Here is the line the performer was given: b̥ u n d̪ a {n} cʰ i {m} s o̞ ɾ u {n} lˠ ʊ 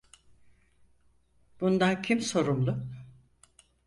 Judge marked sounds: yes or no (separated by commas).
yes, yes, no